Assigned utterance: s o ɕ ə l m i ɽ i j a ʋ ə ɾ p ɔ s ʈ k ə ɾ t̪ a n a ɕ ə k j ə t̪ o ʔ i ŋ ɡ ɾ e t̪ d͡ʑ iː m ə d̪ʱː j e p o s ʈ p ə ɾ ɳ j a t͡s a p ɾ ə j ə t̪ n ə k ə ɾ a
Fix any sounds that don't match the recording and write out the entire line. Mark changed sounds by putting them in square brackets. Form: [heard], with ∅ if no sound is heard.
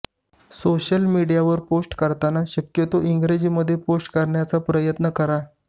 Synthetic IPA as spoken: s o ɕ ə l m i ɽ i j a ʋ ə ɾ p [o] s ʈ k ə ɾ t̪ a n a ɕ ə k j ə t̪ o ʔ i ŋ ɡ ɾ e [∅] d͡ʑ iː m ə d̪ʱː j e p o s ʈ [k] ə ɾ ɳ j a t͡s a p ɾ ə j ə t̪ n ə k ə ɾ a